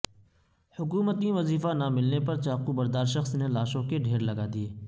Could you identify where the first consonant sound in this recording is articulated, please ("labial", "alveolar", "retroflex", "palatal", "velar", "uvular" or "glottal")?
glottal